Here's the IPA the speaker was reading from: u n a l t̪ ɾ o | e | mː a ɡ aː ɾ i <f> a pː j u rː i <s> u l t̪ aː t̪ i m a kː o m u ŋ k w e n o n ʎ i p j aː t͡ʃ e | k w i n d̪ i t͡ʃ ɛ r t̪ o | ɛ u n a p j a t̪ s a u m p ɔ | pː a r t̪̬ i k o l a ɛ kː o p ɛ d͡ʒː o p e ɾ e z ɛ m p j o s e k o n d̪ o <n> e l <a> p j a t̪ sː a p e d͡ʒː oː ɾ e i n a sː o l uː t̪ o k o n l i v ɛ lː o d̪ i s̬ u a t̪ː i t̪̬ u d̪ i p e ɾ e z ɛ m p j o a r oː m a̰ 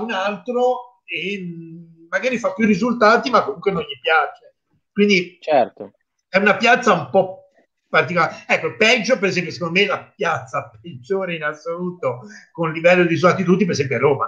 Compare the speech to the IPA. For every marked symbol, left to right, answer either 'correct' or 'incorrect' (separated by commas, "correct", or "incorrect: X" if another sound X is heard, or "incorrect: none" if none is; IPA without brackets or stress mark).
correct, incorrect: z, incorrect: m, correct